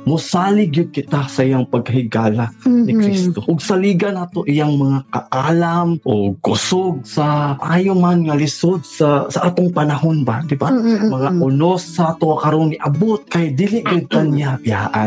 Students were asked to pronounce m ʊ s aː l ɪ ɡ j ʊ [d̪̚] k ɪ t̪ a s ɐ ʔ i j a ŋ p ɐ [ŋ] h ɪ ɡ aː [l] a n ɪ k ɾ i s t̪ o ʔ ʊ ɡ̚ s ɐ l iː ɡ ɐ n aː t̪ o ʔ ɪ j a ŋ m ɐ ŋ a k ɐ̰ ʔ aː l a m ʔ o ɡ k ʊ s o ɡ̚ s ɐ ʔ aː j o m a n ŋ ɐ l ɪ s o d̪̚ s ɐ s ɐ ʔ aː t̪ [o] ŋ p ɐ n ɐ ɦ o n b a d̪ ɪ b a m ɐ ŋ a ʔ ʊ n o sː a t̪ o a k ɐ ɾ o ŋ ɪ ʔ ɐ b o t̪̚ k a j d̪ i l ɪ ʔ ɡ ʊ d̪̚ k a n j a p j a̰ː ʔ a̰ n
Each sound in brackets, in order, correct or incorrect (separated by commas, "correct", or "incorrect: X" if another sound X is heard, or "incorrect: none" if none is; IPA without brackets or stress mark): correct, incorrect: ɡ, correct, correct